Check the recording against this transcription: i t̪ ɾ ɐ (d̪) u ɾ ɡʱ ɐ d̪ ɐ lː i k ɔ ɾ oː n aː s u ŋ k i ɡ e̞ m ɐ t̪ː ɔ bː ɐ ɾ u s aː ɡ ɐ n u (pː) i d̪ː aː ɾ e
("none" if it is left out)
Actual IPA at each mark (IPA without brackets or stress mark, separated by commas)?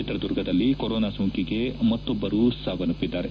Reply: d̪, pː